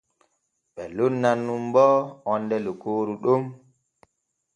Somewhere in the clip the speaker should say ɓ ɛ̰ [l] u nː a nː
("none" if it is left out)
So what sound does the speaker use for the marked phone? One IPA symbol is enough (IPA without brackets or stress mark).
l